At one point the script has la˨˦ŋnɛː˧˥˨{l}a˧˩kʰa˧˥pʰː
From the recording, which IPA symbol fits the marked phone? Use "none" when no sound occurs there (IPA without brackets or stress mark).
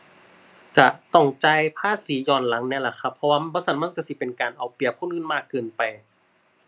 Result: l